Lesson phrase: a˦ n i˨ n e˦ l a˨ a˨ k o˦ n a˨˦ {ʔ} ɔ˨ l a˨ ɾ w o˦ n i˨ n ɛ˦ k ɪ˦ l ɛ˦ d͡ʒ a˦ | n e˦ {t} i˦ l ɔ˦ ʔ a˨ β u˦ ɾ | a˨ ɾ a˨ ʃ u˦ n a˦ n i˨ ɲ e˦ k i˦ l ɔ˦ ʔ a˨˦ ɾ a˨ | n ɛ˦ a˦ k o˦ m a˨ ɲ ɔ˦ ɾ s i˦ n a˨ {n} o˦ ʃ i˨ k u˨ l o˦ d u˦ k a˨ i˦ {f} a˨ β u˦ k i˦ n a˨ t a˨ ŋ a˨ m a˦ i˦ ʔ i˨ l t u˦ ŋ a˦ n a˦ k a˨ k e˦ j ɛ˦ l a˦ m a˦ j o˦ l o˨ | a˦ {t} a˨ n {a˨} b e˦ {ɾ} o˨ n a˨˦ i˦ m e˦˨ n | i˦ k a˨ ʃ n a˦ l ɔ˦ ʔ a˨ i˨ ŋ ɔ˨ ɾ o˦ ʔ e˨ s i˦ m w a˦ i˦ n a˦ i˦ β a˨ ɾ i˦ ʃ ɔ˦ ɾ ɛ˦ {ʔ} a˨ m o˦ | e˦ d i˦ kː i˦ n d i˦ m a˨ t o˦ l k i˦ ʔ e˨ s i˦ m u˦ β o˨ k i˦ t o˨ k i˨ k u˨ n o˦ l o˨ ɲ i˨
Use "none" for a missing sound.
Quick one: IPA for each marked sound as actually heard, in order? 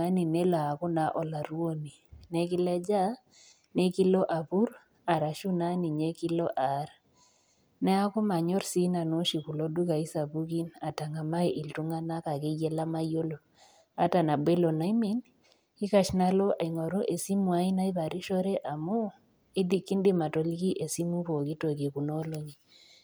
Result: ʔ, k, n, s, t, a˨, l, ʔ

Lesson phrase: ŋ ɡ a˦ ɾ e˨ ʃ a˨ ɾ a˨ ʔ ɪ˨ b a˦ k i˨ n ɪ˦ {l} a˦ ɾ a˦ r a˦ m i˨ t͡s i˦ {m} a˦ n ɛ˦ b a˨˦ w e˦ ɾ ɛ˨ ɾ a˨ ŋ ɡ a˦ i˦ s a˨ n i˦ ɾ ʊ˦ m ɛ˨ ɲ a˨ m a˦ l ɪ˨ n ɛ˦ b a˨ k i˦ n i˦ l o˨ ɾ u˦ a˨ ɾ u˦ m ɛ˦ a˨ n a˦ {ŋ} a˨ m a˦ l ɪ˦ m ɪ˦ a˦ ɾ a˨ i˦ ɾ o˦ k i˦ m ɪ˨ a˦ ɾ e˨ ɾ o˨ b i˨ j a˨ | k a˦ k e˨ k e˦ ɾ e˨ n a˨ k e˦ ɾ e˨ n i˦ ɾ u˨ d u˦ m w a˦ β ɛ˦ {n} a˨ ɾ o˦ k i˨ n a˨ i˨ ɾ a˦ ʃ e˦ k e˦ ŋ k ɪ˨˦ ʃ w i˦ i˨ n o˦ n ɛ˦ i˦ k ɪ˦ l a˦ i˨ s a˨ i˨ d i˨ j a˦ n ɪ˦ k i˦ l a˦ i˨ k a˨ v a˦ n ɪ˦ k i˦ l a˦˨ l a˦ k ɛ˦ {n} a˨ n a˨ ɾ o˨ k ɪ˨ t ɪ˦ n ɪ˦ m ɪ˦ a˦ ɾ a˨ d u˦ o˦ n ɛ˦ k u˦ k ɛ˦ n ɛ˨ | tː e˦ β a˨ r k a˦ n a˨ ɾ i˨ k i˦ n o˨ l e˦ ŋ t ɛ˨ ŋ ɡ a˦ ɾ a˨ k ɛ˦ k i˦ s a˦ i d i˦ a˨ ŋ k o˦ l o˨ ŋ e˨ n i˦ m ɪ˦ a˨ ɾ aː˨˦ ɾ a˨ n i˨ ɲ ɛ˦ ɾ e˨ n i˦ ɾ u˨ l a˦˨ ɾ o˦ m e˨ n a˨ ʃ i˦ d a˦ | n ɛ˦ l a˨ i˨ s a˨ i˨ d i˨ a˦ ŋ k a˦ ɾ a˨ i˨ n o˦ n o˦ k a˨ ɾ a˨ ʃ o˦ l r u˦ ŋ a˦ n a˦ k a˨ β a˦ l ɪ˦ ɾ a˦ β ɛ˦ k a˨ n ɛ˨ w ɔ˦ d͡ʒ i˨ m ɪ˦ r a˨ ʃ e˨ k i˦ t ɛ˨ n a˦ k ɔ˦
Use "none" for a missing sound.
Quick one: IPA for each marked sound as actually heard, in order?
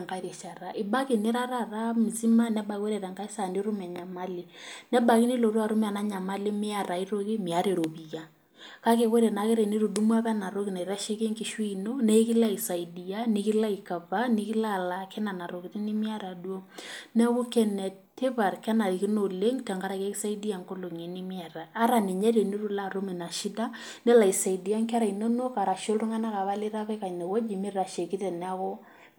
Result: ɾ, m, ɲ, n, n

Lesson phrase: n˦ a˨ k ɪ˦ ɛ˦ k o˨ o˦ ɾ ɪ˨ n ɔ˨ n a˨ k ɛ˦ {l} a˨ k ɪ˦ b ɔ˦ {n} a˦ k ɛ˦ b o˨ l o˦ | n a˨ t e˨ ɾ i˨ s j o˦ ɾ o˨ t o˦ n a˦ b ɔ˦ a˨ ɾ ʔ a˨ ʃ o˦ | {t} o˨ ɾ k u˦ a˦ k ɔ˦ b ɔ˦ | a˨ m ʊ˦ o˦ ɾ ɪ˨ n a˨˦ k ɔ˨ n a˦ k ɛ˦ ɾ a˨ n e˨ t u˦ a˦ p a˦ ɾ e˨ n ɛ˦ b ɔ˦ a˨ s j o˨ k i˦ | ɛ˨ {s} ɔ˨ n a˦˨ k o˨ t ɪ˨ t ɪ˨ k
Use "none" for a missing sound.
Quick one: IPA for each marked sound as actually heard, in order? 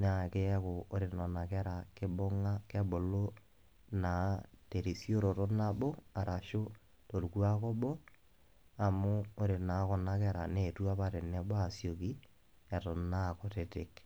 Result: ɾ, ŋ, t, t

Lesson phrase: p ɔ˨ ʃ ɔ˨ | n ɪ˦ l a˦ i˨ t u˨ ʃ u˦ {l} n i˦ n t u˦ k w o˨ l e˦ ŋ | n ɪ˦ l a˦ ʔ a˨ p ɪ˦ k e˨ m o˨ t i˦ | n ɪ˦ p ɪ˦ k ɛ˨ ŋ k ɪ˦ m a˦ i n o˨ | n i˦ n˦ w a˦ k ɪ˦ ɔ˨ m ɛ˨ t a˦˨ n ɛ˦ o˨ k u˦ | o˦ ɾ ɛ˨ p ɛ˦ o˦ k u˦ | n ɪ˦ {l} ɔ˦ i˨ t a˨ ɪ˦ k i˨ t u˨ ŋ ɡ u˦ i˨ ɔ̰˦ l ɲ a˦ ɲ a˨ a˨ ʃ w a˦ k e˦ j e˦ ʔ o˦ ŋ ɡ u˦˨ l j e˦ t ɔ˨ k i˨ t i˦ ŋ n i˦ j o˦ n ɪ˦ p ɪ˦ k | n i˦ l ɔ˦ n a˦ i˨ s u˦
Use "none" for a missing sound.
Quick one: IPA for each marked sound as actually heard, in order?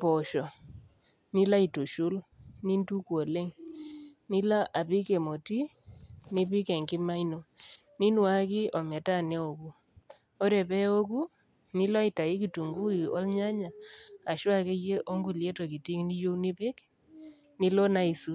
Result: l, l

